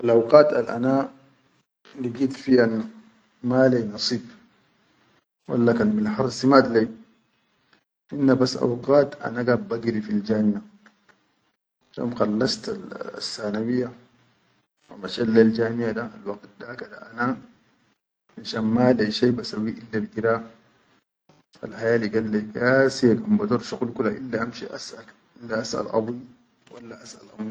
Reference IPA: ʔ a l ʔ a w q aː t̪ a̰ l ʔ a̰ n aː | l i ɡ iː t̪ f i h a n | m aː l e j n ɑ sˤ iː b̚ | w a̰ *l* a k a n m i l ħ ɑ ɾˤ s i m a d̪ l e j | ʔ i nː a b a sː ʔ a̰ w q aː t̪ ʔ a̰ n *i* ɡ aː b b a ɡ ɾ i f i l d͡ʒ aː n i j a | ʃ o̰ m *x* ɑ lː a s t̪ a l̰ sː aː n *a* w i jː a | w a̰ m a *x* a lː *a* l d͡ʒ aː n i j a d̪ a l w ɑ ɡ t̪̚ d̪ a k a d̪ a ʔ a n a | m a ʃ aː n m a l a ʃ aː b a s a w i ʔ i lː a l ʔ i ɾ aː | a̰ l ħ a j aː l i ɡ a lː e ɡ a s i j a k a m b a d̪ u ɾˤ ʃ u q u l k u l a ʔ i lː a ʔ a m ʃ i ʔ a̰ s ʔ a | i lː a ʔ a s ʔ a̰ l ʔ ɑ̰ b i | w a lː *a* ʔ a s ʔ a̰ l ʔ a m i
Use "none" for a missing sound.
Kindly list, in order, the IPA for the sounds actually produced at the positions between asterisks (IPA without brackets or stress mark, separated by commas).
lː, a, x, a, ʃ, a, a